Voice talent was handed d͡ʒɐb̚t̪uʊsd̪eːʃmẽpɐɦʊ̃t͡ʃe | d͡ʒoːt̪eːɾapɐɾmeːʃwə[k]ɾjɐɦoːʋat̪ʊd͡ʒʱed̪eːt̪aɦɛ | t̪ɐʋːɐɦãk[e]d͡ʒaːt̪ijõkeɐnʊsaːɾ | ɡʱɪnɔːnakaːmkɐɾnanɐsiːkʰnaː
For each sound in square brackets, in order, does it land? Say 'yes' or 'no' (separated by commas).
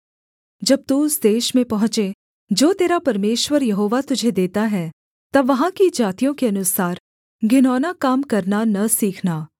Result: no, no